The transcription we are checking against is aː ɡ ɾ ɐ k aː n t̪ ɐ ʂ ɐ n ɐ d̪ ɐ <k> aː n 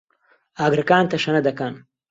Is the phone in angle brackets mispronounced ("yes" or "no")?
no